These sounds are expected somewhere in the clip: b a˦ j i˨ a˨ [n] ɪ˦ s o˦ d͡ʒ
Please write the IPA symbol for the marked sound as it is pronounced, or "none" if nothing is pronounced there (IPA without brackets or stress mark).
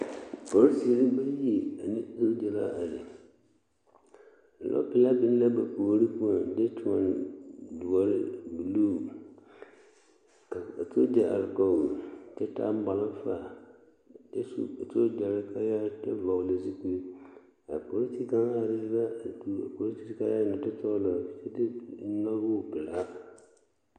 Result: n